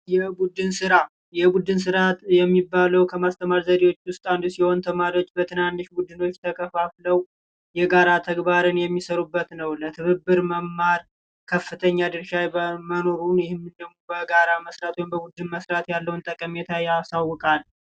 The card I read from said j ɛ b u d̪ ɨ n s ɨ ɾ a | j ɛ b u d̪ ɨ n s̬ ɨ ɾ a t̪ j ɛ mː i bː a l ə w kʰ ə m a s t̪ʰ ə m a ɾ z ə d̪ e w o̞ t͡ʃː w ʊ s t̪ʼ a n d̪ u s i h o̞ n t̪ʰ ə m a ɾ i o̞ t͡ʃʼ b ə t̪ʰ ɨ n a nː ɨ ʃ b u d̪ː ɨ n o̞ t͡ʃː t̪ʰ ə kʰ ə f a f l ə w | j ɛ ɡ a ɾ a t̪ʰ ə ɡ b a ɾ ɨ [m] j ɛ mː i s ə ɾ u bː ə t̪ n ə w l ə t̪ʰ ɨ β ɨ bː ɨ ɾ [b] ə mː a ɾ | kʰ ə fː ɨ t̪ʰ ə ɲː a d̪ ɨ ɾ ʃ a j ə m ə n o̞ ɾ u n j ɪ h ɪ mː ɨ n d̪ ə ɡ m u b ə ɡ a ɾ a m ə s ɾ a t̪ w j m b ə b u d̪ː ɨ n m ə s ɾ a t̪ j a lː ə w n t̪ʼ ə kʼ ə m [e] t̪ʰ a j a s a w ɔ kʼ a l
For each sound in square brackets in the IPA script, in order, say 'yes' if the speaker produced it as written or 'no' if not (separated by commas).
no, no, yes